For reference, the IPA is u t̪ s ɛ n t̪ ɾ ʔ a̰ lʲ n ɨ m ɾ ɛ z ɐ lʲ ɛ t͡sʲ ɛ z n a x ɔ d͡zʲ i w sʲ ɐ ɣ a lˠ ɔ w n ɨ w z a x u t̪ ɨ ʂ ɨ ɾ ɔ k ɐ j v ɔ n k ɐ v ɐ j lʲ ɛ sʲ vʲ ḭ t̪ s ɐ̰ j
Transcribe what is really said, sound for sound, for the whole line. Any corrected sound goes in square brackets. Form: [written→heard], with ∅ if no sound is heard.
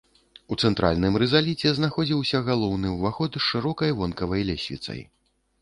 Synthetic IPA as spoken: u t̪ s ɛ n t̪ ɾ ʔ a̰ lʲ n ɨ m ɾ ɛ z [ɐ→a] lʲ [ɛ→i] t͡sʲ ɛ z n a x ɔ d͡zʲ i w sʲ ɐ ɣ a lˠ ɔ w n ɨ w [z→v] a x [u→ɔ] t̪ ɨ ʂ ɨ ɾ ɔ k ɐ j v ɔ n k ɐ v ɐ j lʲ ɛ sʲ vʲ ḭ t̪ s ɐ̰ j